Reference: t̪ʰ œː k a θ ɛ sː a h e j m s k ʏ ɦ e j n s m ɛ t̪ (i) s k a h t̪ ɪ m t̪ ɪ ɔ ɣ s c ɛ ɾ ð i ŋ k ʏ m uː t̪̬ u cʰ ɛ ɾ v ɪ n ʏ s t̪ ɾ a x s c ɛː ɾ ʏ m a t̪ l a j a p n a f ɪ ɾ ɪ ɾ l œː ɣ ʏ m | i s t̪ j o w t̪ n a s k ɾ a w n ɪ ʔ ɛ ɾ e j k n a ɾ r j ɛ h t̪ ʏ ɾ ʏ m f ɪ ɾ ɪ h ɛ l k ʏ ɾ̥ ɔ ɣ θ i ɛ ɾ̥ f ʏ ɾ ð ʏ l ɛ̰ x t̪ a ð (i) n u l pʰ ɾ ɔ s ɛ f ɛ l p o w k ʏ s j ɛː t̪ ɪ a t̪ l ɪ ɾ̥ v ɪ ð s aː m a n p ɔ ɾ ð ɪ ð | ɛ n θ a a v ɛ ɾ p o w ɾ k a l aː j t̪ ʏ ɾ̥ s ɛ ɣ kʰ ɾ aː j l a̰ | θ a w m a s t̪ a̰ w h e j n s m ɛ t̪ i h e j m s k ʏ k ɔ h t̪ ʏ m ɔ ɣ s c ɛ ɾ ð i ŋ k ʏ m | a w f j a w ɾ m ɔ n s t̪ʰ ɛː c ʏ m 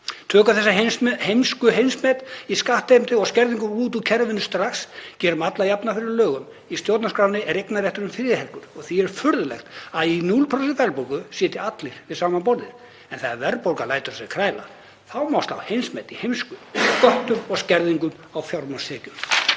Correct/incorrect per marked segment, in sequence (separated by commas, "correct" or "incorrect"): correct, correct